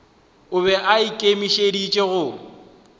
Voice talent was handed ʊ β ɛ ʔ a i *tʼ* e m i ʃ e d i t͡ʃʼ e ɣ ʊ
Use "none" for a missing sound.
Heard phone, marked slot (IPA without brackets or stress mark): kʼ